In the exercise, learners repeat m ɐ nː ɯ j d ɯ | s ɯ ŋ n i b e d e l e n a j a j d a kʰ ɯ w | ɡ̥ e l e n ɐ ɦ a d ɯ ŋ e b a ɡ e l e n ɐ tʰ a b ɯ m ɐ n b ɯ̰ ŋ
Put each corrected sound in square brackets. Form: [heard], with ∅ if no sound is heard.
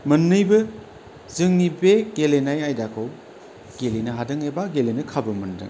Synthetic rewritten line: m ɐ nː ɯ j [b] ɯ | [z] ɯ ŋ n i b e [ɡ] e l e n a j a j d a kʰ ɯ w | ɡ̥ e l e n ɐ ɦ a d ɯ ŋ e b a ɡ e l e n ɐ [kʰ] a b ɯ m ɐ n [d] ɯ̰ ŋ